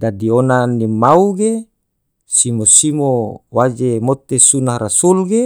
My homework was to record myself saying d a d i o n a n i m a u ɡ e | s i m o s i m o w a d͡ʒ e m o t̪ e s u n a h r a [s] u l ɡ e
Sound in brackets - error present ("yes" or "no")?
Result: no